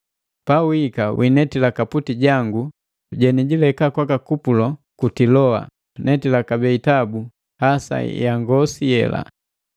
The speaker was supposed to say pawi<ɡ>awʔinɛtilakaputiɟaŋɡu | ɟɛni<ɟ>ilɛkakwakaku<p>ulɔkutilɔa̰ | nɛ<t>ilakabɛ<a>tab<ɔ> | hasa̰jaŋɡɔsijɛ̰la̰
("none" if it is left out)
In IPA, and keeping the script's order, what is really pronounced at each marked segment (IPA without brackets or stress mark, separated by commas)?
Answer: k, ɟ, p, t, i, u